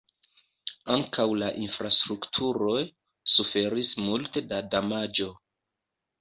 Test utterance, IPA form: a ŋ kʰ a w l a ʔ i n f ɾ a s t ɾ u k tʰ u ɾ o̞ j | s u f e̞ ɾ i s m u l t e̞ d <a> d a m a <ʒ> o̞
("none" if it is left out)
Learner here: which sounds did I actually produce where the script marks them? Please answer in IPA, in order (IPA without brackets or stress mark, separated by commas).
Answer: a, d͡ʒ